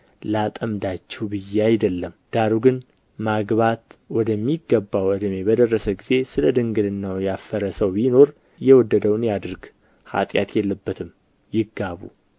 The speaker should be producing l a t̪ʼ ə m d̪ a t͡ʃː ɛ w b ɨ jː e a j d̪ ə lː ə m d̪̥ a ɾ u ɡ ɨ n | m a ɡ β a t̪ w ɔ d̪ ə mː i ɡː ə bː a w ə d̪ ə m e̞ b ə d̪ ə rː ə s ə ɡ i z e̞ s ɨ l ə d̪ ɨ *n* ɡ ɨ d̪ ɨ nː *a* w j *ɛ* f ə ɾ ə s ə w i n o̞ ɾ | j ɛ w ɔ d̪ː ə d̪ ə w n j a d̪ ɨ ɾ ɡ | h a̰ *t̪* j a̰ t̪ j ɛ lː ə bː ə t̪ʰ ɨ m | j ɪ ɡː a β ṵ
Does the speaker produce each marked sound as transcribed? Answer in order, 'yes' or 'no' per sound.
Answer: no, yes, no, no

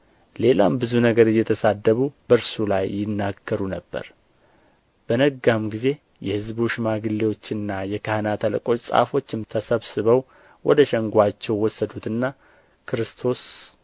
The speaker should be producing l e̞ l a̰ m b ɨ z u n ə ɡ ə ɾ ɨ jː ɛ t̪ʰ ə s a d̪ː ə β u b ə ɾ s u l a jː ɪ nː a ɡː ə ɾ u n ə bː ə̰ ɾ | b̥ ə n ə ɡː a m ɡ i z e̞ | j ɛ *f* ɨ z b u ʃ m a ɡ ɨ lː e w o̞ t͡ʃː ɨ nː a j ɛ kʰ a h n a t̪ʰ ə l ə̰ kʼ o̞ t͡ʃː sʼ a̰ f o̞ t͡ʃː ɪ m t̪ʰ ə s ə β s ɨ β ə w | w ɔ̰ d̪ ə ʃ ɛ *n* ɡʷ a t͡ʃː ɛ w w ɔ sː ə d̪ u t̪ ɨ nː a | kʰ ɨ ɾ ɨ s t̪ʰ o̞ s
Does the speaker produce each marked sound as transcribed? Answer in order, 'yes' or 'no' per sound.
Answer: no, no

